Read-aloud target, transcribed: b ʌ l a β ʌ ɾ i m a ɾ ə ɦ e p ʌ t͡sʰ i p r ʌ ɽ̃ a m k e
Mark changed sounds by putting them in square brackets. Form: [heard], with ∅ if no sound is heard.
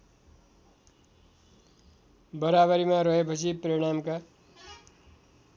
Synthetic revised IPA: b ʌ [ɾ] a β ʌ ɾ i m a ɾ [ʌ] ɦ e p ʌ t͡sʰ i p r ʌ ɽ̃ a m k [a]

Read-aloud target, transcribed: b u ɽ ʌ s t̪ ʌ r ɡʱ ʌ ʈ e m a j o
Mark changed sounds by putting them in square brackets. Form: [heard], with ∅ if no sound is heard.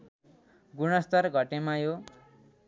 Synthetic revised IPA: [ɡ] u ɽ ʌ s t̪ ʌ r ɡʱ ʌ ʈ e m a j o

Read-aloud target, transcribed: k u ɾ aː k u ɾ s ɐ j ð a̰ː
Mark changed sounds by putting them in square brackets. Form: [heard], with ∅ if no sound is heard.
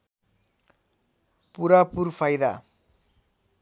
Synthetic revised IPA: [p] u ɾ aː [p] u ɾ [f] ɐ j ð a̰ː

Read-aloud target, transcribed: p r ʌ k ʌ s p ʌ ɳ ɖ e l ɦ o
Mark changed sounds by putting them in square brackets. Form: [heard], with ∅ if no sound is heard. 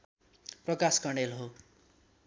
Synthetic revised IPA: p r ʌ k [a] s [k] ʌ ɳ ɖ e l ɦ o

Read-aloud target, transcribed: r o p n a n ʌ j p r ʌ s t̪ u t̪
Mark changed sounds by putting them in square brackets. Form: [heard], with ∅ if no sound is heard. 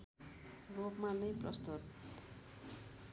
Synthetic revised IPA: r o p [m] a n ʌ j p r ʌ s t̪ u t̪

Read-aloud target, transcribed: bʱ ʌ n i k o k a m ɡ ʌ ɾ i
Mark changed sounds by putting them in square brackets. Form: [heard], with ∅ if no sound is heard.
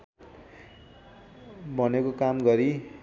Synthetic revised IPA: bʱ ʌ n [e] k o k a m ɡ ʌ ɾ i

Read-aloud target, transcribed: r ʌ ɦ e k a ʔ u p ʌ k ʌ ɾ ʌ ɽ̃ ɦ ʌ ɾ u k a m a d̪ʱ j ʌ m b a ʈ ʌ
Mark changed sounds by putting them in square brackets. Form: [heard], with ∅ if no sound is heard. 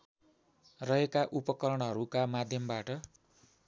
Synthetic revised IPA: r ʌ ɦ e k a ʔ u p ʌ k ʌ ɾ ʌ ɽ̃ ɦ ʌ ɾ u k a m a d̪ʱ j ʌ m b a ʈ ʌ

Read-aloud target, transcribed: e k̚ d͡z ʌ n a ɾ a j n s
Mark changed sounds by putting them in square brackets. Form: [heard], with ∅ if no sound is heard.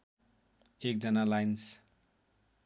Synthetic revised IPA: e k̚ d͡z ʌ n a [l] a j n s

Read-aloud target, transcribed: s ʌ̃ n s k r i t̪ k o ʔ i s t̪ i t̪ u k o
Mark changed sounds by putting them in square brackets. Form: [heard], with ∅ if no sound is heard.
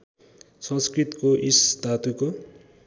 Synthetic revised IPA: s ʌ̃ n s k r i t̪ k o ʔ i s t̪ [a] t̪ u k o

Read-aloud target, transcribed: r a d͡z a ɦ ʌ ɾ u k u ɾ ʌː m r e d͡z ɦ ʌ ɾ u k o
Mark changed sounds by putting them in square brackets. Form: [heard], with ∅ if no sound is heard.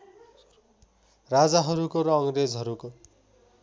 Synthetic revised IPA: r a d͡z a ɦ ʌ ɾ u k [o] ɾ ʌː [ŋ] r e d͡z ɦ ʌ ɾ u k o

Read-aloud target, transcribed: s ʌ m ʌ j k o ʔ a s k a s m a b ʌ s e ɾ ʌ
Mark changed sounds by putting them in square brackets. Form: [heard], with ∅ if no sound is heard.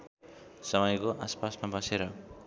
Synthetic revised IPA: s ʌ m ʌ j k o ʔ a s [p] a s m a b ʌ s e ɾ ʌ

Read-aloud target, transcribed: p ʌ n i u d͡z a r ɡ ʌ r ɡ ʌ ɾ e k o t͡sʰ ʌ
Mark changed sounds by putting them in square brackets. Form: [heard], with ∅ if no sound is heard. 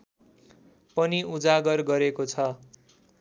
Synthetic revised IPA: p ʌ n i u d͡z a [∅] ɡ ʌ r ɡ ʌ ɾ e k o t͡sʰ ʌ

